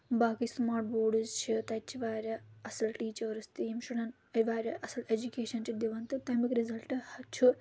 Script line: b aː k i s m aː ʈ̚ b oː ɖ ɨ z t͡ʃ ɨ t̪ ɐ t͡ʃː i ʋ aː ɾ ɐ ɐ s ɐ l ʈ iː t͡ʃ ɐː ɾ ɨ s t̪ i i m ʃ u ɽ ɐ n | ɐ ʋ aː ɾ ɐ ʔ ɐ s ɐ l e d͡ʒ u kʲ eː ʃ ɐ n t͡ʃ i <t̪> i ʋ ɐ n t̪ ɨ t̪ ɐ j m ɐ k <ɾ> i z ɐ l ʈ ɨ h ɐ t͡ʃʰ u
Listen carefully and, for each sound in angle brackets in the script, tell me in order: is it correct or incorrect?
incorrect, correct

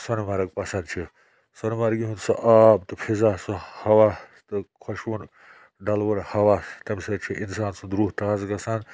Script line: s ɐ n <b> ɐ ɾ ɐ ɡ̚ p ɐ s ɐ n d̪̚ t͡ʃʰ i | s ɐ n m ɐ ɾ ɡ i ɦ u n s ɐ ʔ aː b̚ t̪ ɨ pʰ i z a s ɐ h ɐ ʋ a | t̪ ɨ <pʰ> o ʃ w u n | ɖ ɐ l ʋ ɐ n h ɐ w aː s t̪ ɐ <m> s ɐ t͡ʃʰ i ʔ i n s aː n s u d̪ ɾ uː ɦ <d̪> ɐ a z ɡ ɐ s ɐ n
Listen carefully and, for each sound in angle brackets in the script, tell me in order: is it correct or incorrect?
incorrect, incorrect, correct, incorrect

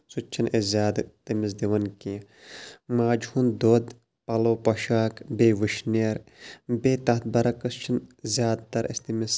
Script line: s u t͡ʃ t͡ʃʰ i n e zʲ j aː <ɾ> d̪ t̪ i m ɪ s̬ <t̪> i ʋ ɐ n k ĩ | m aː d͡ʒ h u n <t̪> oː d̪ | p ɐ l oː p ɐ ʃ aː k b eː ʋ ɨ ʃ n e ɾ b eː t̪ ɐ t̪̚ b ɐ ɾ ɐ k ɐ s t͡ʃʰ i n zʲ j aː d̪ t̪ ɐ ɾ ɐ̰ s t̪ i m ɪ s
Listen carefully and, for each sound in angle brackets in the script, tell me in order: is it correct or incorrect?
incorrect, incorrect, incorrect

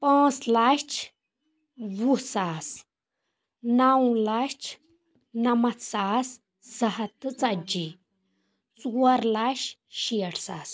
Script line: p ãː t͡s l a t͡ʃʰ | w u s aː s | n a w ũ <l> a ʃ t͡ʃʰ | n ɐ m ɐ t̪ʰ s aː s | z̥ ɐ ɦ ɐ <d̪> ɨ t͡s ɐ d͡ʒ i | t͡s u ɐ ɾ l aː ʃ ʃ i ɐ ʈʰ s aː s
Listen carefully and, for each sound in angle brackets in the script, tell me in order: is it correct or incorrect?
correct, incorrect

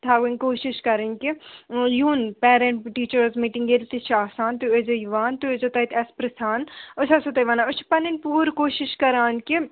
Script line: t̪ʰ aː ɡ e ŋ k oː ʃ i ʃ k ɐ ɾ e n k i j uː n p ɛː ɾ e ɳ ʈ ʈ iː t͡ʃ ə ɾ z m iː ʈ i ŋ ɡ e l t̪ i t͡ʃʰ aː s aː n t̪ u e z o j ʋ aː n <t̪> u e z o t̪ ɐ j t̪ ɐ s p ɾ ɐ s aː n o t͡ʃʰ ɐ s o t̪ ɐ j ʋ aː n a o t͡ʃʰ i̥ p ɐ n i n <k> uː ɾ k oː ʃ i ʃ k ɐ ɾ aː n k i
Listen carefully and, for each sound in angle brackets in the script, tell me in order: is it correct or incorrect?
correct, incorrect

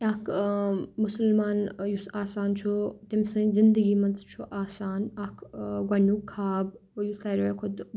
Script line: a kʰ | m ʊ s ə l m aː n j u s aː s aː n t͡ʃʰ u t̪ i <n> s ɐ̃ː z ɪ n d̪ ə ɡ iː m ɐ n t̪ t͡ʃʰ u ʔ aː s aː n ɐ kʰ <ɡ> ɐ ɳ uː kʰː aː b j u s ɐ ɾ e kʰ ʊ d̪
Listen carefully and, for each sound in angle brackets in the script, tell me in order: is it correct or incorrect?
incorrect, correct

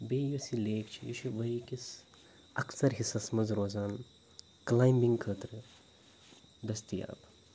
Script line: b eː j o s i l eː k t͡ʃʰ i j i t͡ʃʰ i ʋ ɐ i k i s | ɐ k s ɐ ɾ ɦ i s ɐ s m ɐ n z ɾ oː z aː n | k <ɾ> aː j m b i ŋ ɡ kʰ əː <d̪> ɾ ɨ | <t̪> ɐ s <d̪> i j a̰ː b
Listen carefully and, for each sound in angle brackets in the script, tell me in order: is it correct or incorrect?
incorrect, incorrect, incorrect, incorrect

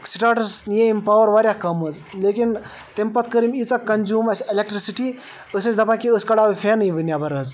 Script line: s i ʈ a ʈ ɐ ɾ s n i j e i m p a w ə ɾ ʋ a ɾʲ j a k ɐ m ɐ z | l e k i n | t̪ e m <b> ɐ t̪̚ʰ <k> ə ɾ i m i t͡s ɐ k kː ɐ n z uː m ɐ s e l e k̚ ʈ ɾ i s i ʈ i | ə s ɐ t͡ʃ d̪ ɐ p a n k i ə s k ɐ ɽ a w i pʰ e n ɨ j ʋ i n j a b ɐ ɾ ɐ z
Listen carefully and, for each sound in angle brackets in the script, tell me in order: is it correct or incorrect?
incorrect, correct

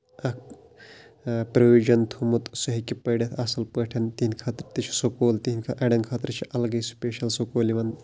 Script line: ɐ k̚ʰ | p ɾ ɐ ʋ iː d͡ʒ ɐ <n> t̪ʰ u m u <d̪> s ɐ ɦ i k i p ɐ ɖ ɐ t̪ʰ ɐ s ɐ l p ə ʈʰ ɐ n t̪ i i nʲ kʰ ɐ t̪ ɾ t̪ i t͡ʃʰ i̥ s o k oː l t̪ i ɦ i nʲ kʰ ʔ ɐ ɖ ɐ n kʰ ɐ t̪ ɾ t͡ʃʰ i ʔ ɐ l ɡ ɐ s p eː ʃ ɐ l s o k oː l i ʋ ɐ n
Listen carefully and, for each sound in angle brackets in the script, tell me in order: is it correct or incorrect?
correct, incorrect

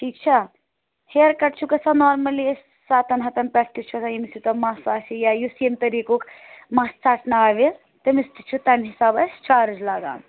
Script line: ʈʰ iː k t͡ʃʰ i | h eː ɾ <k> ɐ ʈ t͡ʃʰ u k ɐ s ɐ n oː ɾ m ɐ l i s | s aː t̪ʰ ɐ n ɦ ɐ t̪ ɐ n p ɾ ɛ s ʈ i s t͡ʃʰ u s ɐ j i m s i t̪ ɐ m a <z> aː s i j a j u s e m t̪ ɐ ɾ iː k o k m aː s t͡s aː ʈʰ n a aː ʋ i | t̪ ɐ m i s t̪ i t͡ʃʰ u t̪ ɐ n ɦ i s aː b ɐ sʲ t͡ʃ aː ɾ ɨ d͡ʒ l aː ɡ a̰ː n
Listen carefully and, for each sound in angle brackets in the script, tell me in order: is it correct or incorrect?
correct, incorrect

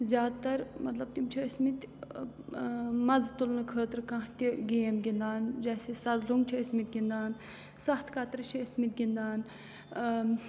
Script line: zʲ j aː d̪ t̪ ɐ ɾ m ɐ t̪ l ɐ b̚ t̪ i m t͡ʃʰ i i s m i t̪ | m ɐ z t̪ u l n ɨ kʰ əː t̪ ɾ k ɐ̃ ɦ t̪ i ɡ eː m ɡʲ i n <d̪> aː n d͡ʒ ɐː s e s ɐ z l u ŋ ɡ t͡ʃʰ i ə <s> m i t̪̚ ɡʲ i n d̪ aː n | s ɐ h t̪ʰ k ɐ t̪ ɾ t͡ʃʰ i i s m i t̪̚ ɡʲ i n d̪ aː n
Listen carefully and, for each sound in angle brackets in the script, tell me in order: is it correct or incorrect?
correct, correct

